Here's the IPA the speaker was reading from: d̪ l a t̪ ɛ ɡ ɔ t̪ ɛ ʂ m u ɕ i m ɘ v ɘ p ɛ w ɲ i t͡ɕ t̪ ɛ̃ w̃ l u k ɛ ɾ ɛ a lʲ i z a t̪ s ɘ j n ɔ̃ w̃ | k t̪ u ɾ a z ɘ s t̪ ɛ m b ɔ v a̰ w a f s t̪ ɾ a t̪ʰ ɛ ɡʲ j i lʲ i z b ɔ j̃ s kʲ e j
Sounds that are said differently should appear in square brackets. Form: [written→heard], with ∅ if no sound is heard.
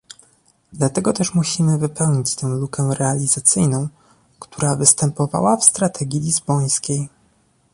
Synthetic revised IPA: d̪ l a t̪ ɛ ɡ ɔ t̪ ɛ ʂ m u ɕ i m ɘ v ɘ p ɛ w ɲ i t͡ɕ t̪ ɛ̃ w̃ l u k ɛ ɾ ɛ a lʲ i z a t̪ s ɘ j n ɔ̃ w̃ | k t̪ u ɾ a [z→v] ɘ s t̪ ɛ m [b→p] ɔ v a̰ w a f s t̪ ɾ a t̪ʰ ɛ ɡʲ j i lʲ i z b ɔ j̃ s kʲ e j